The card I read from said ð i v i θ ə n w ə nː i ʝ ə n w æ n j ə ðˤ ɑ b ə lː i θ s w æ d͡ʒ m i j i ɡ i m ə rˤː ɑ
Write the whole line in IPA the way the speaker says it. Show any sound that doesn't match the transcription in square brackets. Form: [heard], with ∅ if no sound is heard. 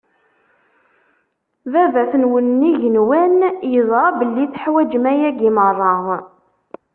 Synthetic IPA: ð [æ] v [æ] θ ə n w ə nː i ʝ ə n w æ n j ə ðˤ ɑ b ə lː i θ [ħ] w æ d͡ʒ m [æ] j [æ] ɡ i m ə rˤː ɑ